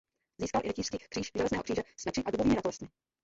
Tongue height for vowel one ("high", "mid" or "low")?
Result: high